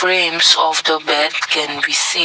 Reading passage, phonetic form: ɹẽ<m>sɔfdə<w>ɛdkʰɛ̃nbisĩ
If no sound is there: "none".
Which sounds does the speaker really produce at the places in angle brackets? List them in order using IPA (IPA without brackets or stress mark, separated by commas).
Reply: m, b